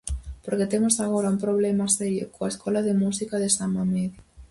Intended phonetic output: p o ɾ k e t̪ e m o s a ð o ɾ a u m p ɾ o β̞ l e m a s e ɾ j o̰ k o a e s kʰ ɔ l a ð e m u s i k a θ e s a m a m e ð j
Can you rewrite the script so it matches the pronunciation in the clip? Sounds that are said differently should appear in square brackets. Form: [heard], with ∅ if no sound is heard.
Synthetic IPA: p o ɾ k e t̪ e m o s a [ɣ] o ɾ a u m p ɾ o β̞ l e m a s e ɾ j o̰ k o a e s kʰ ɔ l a ð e m u s i k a [ð] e s a m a m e ð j